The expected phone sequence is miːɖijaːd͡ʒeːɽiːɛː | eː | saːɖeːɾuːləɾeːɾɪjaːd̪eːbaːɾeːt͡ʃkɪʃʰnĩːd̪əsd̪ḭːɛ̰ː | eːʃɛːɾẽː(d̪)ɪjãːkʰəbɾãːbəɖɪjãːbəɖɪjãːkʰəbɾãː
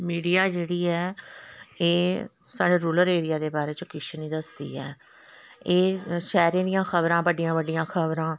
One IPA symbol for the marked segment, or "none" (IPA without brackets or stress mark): d̪